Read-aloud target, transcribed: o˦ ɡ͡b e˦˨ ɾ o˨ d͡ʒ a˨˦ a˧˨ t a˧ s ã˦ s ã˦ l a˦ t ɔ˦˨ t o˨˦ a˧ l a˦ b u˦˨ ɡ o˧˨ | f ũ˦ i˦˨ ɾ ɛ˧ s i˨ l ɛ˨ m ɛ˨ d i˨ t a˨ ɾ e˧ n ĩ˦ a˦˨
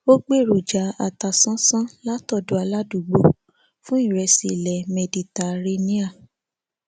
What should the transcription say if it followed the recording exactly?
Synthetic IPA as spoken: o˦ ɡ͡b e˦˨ ɾ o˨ d͡ʒ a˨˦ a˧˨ t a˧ s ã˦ s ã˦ l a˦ t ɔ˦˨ d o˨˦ a˧ l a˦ d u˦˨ ɡ͡b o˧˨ | f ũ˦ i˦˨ ɾ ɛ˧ s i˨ l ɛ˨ m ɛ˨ d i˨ t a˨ ɾ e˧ n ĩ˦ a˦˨

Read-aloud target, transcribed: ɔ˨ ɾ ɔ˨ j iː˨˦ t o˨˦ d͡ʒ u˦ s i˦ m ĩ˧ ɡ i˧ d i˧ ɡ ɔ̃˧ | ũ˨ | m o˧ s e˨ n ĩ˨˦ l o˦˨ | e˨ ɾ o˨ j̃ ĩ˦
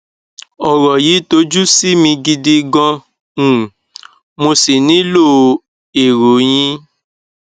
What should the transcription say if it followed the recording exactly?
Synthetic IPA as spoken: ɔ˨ ɾ ɔ˨ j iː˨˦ t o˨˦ d͡ʒ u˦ s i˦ m ĩ˧ ɡ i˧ d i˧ ɡ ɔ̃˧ | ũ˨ | m o˧ s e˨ n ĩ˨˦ l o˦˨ | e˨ ɾ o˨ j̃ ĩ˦

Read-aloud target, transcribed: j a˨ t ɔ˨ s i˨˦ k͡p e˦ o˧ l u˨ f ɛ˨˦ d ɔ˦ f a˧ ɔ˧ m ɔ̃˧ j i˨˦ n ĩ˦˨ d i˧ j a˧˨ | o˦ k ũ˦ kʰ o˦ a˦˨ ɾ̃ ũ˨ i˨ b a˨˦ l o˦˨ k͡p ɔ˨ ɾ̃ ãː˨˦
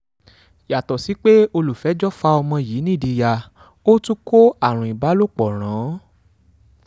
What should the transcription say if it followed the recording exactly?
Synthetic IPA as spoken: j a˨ t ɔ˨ s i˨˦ k͡p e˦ o˧ l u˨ f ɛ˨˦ d͡ʒ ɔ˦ f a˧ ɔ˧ m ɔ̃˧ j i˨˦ n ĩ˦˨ d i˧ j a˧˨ | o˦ t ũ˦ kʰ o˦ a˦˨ ɾ̃ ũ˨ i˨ b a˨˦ l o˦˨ k͡p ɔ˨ ɾ̃ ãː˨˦

